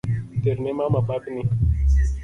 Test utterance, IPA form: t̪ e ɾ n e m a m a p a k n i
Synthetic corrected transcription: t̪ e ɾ n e m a m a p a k n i